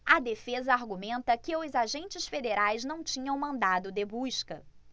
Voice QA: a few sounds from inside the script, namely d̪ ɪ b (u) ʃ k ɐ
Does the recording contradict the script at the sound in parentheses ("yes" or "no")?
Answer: no